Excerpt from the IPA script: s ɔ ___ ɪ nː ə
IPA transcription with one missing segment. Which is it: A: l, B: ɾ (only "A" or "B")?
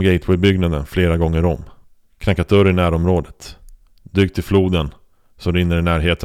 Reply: B